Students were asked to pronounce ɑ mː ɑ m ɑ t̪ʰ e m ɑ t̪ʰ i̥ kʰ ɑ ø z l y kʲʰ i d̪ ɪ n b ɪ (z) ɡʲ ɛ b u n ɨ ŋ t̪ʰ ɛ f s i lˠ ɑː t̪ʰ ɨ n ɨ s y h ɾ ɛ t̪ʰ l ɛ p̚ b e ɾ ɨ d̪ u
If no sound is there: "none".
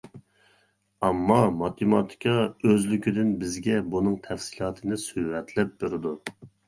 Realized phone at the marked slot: z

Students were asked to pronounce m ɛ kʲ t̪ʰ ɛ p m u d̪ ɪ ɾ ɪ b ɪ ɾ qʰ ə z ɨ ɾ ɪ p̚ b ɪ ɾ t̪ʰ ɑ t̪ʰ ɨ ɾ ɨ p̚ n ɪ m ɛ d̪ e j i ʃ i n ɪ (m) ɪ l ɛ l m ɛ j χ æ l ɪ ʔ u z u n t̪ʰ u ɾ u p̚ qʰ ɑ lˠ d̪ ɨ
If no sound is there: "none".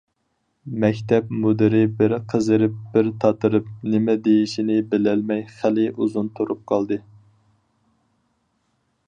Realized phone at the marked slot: b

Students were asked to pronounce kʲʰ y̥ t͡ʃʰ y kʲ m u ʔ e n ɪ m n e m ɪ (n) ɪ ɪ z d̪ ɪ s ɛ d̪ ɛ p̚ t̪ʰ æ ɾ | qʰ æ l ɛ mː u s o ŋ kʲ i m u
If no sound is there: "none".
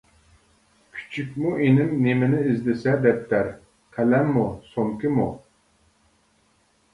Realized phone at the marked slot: n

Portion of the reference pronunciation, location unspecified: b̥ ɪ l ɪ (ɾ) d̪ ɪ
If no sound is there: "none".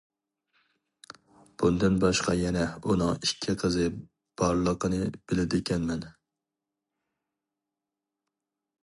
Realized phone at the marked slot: none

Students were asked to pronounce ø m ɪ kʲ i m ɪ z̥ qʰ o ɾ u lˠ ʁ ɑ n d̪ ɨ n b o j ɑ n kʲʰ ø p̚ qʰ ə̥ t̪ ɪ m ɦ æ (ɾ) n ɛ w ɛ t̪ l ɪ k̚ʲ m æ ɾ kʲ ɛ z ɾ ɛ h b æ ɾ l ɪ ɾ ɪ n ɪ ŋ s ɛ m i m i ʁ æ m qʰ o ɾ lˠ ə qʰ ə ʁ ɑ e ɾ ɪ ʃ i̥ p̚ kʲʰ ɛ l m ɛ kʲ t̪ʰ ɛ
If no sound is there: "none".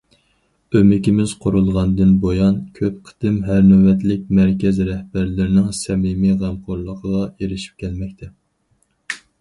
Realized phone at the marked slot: ɾ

